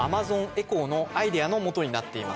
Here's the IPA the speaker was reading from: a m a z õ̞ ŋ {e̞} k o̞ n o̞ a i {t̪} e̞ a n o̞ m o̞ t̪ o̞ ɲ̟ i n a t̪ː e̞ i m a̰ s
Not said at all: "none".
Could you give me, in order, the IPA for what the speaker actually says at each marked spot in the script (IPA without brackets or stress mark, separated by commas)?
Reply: e̞, d̪